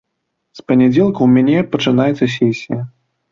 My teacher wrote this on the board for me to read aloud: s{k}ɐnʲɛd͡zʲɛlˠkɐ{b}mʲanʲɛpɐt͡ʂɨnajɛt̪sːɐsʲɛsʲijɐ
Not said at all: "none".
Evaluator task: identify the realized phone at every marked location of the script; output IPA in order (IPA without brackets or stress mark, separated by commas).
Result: p, w